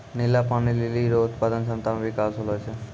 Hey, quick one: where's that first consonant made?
tongue tip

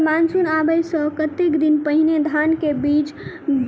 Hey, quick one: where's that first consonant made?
lips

